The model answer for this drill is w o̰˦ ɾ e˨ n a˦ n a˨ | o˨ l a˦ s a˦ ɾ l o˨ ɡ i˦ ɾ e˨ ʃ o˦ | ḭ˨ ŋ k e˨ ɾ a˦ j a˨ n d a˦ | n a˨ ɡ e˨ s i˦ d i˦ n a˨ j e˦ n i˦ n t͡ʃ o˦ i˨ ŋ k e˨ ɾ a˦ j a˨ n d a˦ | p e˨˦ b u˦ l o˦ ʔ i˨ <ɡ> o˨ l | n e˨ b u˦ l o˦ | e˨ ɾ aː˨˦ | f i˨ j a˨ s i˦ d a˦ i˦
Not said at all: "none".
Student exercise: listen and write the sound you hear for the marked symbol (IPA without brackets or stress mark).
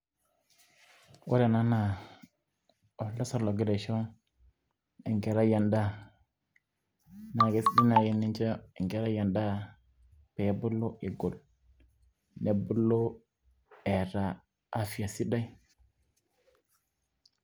ɡ